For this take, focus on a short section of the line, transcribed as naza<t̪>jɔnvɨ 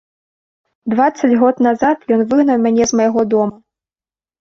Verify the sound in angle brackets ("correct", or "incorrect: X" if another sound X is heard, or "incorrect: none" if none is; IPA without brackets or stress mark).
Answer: correct